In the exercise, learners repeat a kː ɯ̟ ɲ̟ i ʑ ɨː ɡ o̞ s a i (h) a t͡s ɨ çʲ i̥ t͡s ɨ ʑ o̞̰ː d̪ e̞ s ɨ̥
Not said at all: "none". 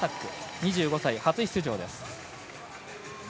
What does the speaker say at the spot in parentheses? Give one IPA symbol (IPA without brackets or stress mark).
h